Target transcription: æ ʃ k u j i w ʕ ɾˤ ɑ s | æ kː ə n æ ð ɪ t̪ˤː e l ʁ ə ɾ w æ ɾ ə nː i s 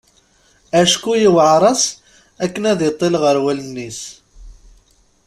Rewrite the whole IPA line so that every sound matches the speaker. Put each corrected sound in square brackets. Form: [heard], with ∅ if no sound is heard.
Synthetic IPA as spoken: æ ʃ k u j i w ʕ ɾˤ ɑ s | æ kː ə n æ ð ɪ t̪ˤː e l ʁ ə ɾ w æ [l] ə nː i s